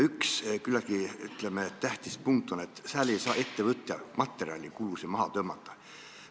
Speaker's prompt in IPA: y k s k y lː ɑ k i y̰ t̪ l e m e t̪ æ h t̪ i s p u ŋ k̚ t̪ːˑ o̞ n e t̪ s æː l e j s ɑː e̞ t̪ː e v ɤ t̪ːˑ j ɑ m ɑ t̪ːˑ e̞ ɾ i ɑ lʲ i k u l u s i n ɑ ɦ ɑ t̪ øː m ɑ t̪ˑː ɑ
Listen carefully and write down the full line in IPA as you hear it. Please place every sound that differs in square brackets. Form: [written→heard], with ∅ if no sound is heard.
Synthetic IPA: y k s k y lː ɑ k i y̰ t̪ l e m e t̪ æ h t̪ i s p u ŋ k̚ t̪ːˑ o̞ n e t̪ s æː l e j s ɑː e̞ t̪ː e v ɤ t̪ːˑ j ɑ m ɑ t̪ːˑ e̞ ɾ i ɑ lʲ i k u l u s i [n→m] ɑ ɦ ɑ t̪ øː m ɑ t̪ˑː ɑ